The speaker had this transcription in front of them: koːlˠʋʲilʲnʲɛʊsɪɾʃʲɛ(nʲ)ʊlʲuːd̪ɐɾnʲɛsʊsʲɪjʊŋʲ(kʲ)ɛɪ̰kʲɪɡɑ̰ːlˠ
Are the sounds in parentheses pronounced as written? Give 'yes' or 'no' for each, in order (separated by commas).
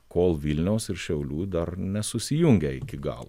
no, no